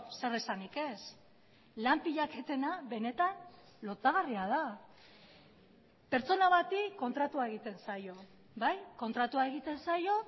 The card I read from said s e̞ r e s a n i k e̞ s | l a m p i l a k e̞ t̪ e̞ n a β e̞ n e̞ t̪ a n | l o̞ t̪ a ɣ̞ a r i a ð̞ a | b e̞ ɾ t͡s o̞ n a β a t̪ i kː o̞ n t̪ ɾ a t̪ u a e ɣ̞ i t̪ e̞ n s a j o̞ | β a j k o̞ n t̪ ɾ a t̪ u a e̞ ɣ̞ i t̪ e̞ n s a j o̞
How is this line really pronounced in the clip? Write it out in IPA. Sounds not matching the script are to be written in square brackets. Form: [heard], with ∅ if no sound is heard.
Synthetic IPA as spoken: s e̞ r e s a n i k e̞ s | l a m p i [ʎ] a k e̞ t̪ e̞ n a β e̞ n e̞ t̪ a n | l o̞ t̪ a ɣ̞ a r i a ð̞ a | [p] e̞ ɾ t͡s o̞ n a β a t̪ i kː o̞ n t̪ ɾ a t̪ u a e ɣ̞ i t̪ e̞ n s a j o̞ | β a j k o̞ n t̪ ɾ a t̪ u a e̞ ɣ̞ i t̪ e̞ n s a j o̞

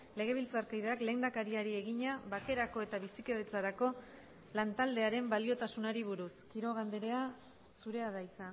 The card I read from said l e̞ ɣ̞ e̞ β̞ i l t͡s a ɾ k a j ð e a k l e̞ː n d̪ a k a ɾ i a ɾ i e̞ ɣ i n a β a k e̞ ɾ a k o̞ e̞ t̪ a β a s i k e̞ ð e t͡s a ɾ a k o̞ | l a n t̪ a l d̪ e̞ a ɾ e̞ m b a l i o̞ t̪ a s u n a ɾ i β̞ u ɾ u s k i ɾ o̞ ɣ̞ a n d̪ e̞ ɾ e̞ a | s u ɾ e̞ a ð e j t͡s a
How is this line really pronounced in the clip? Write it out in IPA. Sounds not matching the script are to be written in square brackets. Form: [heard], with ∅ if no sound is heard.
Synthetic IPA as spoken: l e̞ ɣ̞ e̞ β̞ i l t͡s a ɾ k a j ð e a k l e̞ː n d̪ a k a ɾ i a ɾ i e̞ ɣ i [ɲ] a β a k e̞ ɾ a k o̞ e̞ t̪ a β [i] s i k e̞ ð e t͡s a ɾ a k o̞ | l a n t̪ a l d̪ e̞ a ɾ e̞ m b a l i o̞ t̪ a s u n a ɾ i β̞ u ɾ u s k i ɾ o̞ ɣ̞ a n d̪ e̞ ɾ e̞ a | s u ɾ e̞ a ð [a] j t͡s a

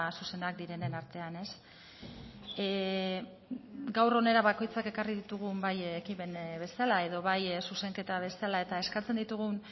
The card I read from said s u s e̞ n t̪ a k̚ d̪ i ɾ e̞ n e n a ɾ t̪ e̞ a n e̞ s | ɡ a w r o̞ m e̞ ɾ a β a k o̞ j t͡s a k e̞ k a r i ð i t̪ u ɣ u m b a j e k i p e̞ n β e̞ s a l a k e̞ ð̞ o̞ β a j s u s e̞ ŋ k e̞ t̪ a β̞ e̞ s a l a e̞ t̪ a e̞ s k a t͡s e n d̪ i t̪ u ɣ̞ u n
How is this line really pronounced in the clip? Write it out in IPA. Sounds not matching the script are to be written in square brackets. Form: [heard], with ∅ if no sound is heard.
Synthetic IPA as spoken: s u s e̞ n [d̪] a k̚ d̪ i ɾ e̞ n e n a ɾ t̪ e̞ a n e̞ s | ɡ a w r o̞ [n] e̞ ɾ a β a k o̞ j t͡s a k e̞ k a r i ð i t̪ u ɣ u m b a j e k i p e̞ n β e̞ s a l a [∅] e̞ ð̞ o̞ β a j s u s e̞ ŋ k e̞ t̪ a β̞ e̞ s a l a e̞ t̪ a e̞ s k a t͡s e n d̪ i t̪ u ɣ̞ u n

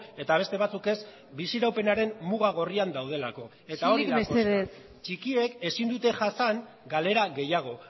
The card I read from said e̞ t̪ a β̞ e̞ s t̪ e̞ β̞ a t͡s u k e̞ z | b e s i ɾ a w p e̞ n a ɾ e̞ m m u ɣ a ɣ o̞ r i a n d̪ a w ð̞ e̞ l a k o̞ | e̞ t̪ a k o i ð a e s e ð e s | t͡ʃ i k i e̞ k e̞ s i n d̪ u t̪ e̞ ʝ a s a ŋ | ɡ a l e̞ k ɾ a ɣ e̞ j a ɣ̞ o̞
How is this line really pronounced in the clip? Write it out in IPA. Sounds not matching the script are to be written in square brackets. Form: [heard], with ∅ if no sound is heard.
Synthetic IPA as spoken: e̞ t̪ a β̞ e̞ s t̪ e̞ β̞ a t͡s u k e̞ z | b [i] s i ɾ a w p e̞ n a ɾ e̞ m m u ɣ a ɣ o̞ r i a n d̪ a w ð̞ e̞ l a k o̞ | e̞ t̪ a [∅] o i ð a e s e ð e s | t͡ʃ i k i e̞ k e̞ s i n d̪ u t̪ e̞ ʝ a s a ŋ | ɡ a l e̞ [∅] ɾ a ɣ e̞ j a ɣ̞ o̞

